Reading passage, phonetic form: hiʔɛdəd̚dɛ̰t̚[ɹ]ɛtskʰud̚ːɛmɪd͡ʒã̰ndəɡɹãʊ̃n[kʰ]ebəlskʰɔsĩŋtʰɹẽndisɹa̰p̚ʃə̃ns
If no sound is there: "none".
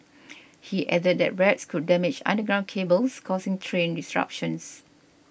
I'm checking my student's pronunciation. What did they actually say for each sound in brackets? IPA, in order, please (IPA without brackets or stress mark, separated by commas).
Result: ɹ, kʰ